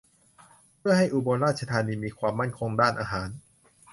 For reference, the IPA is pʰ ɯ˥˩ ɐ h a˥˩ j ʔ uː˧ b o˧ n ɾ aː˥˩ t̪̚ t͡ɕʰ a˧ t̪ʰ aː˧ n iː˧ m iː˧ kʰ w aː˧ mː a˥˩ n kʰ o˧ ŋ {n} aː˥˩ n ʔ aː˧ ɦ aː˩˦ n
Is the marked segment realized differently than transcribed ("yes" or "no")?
yes